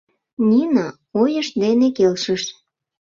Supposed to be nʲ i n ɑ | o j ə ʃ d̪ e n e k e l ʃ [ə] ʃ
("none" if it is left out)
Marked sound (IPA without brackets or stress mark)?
ə